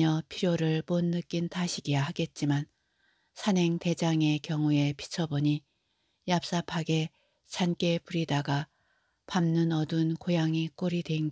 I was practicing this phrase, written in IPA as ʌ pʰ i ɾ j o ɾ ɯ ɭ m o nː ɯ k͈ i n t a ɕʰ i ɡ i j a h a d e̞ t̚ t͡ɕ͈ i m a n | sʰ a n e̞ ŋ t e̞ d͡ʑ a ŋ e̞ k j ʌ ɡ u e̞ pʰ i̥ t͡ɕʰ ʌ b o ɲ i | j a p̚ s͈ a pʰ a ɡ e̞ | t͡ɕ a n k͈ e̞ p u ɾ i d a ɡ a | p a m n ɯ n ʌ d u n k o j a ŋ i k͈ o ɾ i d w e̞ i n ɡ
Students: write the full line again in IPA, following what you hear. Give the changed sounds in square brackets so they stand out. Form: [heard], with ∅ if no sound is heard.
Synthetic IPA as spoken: ʌ pʰ i ɾ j o ɾ ɯ ɭ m o nː ɯ k͈ i n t a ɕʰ i ɡ i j a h a [ɡ] e̞ t̚ t͡ɕ͈ i m a n | sʰ a n e̞ ŋ t e̞ d͡ʑ a ŋ e̞ k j ʌ [ŋ] u e̞ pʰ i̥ t͡ɕʰ ʌ b o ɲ i | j a p̚ s͈ a pʰ a ɡ e̞ | t͡ɕ a n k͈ e̞ p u ɾ i d a ɡ a | p a m n ɯ n ʌ d u n k o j a ŋ i k͈ o ɾ i d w e̞ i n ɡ